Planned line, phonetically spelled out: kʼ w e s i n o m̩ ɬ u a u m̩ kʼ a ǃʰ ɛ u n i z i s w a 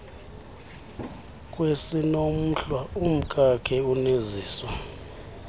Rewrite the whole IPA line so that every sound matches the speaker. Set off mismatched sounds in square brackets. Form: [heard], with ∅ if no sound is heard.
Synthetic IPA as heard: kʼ w e s i n o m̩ ɬ [w] a u m̩ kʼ a [kʰ] ɛ u n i z [iː] s w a

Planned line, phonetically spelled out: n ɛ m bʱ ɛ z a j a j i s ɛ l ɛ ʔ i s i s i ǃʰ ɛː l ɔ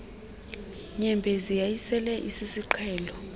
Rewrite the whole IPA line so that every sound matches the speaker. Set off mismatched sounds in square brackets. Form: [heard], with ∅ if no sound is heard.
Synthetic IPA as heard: [ɲ] ɛ m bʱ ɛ z [i] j a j i s ɛ l ɛ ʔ i s i s i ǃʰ ɛː l ɔ

